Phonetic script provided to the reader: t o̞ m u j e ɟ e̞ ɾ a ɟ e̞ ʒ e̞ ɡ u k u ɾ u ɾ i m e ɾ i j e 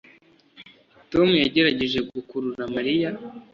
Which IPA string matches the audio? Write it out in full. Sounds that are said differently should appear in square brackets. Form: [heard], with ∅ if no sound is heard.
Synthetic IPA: t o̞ m u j [a] ɟ e̞ ɾ a ɟ e̞ ʒ e̞ ɡ u k u ɾ u ɾ [a] m [a] ɾ i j [a]